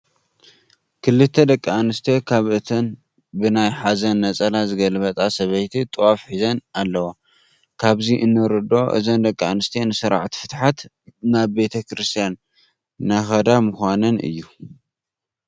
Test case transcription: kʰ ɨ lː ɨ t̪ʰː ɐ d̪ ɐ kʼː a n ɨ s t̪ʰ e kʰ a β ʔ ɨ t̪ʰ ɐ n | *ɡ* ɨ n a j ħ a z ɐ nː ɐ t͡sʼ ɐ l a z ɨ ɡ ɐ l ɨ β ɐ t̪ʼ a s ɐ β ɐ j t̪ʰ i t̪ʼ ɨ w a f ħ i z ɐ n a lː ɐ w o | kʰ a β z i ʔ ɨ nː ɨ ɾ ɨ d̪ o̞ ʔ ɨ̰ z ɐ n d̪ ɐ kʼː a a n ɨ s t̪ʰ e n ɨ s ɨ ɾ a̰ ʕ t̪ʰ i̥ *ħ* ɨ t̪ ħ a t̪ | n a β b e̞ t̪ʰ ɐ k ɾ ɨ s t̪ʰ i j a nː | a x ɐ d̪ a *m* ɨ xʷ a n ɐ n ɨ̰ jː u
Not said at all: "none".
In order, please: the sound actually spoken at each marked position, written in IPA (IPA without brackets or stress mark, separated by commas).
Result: b, f, m